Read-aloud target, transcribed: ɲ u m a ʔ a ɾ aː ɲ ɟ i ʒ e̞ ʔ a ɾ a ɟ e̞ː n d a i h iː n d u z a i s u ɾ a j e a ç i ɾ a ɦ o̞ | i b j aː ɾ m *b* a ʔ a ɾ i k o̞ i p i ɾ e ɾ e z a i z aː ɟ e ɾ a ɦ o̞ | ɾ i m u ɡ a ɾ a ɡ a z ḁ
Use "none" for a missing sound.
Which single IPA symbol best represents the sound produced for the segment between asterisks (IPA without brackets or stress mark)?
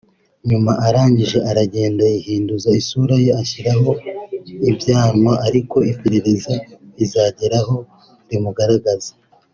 w